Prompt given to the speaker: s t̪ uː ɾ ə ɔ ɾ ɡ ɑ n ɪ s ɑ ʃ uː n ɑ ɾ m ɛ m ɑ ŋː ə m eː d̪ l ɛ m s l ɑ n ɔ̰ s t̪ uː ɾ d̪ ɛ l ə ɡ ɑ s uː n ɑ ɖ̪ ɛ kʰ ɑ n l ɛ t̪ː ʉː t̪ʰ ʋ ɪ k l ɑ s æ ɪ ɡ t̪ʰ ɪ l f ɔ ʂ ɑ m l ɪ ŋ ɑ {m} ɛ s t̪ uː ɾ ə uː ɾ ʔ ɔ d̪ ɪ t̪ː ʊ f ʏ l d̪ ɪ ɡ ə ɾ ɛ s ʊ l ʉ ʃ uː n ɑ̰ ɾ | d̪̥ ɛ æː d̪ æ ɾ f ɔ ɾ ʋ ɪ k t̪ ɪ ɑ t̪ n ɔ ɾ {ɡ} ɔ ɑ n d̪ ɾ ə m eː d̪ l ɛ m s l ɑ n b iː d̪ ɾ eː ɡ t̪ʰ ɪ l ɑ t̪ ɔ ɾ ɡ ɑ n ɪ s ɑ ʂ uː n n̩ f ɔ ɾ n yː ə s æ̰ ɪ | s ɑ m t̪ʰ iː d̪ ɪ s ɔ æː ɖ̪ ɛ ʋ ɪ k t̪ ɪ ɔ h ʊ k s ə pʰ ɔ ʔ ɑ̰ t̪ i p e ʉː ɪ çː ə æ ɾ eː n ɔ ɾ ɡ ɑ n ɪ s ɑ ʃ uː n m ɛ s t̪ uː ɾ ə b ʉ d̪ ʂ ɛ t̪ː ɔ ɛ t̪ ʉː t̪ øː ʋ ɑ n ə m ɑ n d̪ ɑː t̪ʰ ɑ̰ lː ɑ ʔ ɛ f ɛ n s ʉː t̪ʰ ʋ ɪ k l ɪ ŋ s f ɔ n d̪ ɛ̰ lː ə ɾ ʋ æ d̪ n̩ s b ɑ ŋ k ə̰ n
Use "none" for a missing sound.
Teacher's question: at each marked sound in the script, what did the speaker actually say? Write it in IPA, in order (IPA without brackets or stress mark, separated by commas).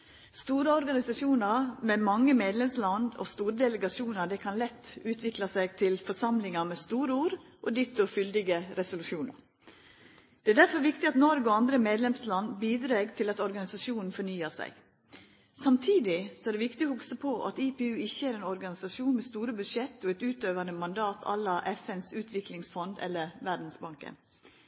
m, ɡ